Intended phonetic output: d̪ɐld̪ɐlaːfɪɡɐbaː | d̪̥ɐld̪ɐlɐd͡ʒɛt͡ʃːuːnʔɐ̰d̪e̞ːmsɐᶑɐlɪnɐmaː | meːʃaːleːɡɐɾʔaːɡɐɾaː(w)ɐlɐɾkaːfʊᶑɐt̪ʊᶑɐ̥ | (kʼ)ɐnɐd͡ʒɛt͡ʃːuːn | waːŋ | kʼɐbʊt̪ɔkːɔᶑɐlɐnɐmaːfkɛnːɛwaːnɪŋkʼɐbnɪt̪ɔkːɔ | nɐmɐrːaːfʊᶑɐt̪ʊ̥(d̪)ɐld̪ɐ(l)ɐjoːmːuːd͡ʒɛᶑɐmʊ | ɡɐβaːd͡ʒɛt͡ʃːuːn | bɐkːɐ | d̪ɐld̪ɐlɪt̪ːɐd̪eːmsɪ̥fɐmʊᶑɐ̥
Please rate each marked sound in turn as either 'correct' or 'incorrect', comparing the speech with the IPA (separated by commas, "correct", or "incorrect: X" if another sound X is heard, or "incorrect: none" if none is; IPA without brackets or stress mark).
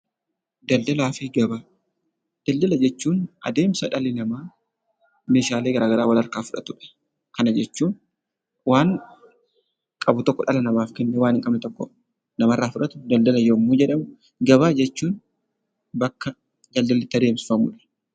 correct, incorrect: k, correct, correct